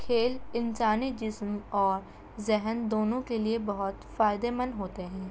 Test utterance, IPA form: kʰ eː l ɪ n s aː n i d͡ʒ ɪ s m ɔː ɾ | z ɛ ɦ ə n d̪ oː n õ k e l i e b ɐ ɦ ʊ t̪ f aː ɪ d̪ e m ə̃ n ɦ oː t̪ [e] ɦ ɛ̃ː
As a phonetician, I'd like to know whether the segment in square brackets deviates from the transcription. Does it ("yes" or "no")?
no